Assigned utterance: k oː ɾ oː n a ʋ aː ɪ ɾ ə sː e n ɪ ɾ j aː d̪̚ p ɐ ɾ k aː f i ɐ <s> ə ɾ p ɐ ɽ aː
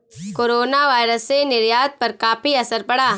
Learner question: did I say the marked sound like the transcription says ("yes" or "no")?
yes